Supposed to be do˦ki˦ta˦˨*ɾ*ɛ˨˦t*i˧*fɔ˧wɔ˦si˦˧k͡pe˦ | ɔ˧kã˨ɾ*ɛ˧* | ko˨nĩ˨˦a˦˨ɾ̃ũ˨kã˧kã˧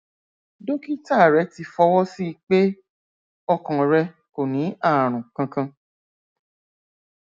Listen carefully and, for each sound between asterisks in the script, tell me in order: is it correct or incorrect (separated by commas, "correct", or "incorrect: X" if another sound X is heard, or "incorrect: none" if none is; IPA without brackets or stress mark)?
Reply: correct, correct, correct